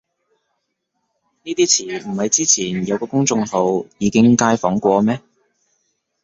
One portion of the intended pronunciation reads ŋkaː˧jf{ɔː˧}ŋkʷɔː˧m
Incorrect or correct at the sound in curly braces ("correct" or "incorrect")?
incorrect